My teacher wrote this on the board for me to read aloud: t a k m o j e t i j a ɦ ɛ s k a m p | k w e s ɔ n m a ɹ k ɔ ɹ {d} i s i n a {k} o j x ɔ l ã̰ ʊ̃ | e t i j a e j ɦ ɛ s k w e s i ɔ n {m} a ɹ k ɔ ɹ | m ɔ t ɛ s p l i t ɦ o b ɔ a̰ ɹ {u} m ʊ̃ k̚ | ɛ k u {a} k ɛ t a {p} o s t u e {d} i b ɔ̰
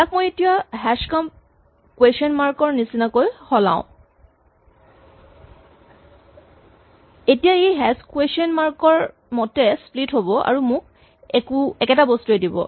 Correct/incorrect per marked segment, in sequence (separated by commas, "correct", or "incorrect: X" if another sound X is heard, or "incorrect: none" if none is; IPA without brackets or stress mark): incorrect: n, correct, correct, correct, incorrect: ɛ, incorrect: b, correct